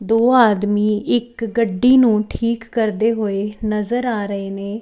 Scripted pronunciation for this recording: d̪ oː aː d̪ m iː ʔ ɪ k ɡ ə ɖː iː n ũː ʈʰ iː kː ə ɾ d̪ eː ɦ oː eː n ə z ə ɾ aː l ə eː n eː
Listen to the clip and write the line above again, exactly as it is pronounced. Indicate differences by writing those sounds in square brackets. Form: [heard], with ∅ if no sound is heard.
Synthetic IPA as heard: d̪ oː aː d̪ m iː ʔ ɪ k ɡ ə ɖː iː n ũː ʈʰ iː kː ə ɾ d̪ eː ɦ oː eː n ə z ə ɾ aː [ɾ] ə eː n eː